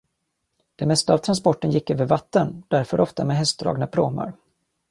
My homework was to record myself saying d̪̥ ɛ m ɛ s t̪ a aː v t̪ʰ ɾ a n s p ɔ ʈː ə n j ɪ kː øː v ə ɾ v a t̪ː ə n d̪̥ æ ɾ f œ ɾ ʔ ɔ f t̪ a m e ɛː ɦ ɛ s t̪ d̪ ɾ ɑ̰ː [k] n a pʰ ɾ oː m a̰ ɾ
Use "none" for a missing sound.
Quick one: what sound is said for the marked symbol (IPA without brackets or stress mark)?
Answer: ɡ